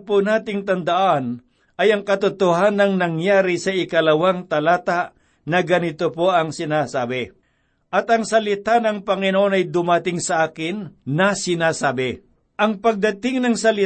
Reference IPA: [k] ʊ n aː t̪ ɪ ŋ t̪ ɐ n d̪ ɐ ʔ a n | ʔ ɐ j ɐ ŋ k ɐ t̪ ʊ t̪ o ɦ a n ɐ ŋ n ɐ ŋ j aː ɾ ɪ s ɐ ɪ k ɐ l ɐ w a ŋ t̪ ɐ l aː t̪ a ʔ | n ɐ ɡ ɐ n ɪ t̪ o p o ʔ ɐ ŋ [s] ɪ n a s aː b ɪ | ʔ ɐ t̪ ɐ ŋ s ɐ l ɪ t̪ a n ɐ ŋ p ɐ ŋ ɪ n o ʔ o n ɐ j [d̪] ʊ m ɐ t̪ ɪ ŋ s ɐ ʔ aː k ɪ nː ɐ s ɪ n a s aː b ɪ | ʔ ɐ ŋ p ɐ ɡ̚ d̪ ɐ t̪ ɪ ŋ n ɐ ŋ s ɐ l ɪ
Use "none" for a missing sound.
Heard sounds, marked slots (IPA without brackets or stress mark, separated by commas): p, s, d̪